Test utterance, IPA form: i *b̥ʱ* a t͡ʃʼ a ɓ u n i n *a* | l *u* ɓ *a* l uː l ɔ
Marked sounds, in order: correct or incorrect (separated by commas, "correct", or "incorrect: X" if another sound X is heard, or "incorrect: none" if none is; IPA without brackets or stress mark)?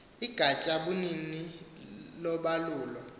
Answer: incorrect: ɡ̥ʱ, incorrect: i, incorrect: ɔ, correct